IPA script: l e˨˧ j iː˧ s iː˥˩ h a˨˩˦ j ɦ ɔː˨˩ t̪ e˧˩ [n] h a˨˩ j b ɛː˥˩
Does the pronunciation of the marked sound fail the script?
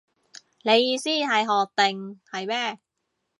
yes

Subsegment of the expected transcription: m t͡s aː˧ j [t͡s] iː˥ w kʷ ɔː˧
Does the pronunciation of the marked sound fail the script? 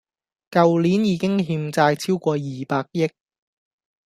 yes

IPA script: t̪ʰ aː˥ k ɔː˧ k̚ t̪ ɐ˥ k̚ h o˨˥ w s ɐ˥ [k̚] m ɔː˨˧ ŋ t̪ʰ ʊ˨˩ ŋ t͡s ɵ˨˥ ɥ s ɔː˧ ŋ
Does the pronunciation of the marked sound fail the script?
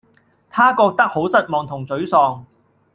yes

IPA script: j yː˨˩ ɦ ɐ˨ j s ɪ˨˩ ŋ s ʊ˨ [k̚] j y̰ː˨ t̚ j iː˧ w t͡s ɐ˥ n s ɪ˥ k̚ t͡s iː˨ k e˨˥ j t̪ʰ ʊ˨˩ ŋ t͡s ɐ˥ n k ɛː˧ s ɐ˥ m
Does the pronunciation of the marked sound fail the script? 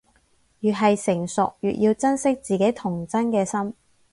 no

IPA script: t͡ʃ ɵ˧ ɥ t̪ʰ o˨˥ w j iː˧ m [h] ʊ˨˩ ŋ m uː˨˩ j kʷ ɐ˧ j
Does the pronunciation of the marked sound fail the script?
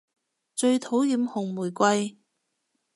no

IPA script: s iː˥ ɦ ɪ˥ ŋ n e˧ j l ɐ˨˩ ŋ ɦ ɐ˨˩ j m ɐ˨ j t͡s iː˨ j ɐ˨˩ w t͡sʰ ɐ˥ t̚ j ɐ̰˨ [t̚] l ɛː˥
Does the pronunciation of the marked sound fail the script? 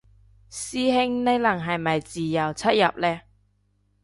yes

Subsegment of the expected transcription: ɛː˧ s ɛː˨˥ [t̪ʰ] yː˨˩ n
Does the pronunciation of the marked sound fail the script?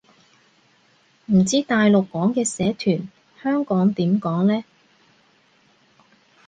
no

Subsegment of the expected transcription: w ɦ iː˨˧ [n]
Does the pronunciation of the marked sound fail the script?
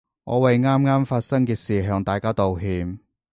yes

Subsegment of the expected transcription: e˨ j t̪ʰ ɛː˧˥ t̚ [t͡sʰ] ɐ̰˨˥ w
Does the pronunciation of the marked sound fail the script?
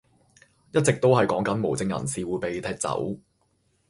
yes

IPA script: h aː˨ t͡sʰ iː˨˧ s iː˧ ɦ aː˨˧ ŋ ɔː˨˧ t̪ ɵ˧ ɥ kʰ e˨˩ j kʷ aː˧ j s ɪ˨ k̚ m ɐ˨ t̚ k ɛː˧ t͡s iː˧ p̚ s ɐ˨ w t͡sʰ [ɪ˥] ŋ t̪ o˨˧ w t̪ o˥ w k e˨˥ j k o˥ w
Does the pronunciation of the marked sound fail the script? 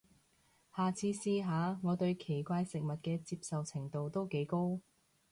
yes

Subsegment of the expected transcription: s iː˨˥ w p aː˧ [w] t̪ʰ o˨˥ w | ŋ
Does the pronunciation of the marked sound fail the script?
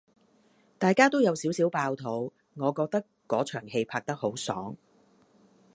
no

